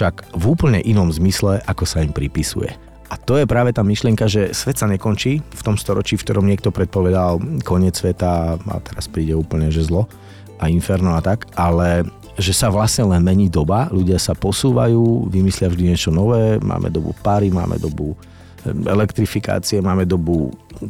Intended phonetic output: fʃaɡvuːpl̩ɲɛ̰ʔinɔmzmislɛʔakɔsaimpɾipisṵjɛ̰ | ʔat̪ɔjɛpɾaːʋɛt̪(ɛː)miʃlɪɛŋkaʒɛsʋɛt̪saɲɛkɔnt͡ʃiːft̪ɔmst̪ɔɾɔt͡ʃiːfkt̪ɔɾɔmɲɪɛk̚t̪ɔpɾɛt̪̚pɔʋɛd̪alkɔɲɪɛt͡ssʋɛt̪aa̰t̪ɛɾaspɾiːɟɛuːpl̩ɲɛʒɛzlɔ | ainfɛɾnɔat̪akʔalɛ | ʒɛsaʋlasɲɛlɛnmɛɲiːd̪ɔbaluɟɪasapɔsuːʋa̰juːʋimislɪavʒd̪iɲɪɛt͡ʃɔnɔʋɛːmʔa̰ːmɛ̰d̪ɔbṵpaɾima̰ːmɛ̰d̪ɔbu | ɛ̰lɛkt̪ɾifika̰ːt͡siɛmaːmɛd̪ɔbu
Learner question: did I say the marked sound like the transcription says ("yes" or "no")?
no